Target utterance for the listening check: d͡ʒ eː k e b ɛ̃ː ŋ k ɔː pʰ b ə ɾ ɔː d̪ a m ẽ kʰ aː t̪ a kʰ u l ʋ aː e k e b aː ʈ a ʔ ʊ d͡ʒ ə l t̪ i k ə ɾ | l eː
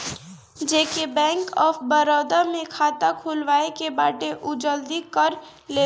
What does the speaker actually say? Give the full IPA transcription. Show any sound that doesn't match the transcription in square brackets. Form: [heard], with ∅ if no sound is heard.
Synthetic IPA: d͡ʒ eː k e b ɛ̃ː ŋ k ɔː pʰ b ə ɾ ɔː d̪ a m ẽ kʰ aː t̪ a kʰ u l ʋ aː e k e b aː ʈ [e] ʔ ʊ d͡ʒ ə l [d̪] i k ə ɾ | l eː

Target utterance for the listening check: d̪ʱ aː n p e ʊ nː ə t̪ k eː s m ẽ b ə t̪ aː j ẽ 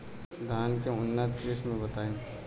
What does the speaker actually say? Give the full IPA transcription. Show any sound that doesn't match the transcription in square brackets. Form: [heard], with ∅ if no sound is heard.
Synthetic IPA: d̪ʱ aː n [k] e ʊ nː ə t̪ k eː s m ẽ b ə t̪ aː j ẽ

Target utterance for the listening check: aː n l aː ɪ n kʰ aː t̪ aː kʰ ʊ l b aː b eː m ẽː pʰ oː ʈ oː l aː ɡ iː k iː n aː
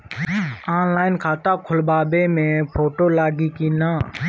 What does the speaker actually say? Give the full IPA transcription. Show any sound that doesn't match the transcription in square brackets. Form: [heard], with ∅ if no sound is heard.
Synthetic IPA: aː n l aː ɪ n kʰ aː t̪ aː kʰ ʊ l b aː b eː m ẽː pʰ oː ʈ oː l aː ɡ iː k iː n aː

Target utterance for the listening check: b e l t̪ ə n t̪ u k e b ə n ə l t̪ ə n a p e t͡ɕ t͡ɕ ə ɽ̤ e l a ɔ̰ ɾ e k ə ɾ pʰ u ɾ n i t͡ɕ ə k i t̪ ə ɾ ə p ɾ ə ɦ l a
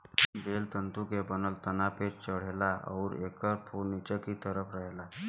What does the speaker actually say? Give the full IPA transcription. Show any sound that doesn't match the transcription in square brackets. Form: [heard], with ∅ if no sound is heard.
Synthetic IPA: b e l t̪ ə n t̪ u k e b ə n ə l t̪ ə n a p e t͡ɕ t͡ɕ ə ɽ̤ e l a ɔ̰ ɾ e k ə ɾ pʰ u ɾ n i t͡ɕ ə k i t̪ ə ɾ ə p ɾ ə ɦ l a

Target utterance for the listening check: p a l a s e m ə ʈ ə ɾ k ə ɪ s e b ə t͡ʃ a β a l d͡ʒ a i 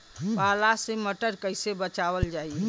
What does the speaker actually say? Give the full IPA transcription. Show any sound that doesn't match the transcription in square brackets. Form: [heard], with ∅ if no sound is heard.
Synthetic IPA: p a l a s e m ə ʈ ə ɾ k ə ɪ s e b ə t͡ʃ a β [ə] l d͡ʒ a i

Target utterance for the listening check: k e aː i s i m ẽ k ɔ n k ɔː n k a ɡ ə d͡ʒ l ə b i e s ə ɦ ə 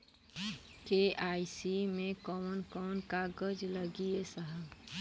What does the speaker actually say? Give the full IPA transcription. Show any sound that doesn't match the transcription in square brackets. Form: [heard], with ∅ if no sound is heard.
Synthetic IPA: k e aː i s i m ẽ k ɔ n k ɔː n k a ɡ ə d͡ʒ l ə [ɡ] i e s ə ɦ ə

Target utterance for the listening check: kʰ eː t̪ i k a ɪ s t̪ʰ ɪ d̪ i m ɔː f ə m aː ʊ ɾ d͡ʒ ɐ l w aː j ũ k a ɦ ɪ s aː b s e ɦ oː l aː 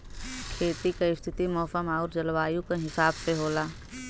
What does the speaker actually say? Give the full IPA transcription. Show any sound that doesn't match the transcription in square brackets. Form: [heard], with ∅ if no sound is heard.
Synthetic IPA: kʰ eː t̪ i k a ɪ s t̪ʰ ɪ [t̪] i m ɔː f ə m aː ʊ ɾ d͡ʒ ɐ l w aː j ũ k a ɦ ɪ s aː b s e ɦ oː l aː

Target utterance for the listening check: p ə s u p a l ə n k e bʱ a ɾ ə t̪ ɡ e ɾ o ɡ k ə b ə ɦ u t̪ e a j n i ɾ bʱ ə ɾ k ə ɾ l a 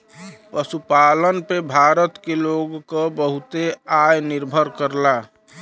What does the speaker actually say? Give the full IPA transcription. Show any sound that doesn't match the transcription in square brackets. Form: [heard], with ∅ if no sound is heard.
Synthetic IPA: p ə s u p a l ə n [p] e bʱ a ɾ ə t̪ [k] e [l] o ɡ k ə b ə ɦ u t̪ e a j n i ɾ bʱ ə ɾ k ə ɾ l a

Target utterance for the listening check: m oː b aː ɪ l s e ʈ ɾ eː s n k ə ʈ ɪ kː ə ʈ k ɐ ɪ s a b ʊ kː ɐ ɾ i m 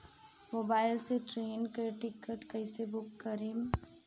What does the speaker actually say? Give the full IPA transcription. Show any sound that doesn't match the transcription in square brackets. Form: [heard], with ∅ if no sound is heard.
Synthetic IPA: m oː b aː ɪ l s e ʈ ɾ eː [∅] n k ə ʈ ɪ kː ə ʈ k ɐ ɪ s [e] b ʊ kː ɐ ɾ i m

